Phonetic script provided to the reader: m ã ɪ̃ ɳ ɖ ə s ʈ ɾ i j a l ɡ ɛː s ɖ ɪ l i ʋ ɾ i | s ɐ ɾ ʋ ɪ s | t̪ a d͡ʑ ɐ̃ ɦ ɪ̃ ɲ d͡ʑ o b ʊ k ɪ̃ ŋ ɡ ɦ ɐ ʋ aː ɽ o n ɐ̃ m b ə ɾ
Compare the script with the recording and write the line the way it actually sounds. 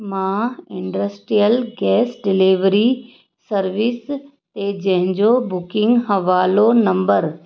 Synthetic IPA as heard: m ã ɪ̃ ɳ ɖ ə s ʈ ɾ i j ə l ɡ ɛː s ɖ ɪ l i ʋ ɾ i | s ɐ ɾ ʋ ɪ s | t̪ e d͡ʑ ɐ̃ ɦ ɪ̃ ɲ d͡ʑ o b ʊ k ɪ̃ ŋ ɡ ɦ ɐ ʋ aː l o n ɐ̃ m b ə ɾ